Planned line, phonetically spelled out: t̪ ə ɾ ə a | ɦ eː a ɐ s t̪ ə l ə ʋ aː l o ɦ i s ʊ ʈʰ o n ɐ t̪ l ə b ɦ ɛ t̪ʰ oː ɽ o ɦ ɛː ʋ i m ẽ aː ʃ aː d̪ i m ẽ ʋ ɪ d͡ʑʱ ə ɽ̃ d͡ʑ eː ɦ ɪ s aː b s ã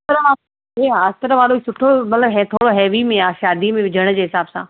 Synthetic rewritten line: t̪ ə ɾ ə a | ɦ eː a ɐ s t̪ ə ɾ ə ʋ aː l o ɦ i s ʊ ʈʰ o m ɐ t̪ l ə b ɦ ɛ t̪ʰ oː ɽ o ɦ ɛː ʋ i m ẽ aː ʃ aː d̪ i m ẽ ʋ ɪ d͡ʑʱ ə ɽ̃ d͡ʑ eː ɦ ɪ s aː b s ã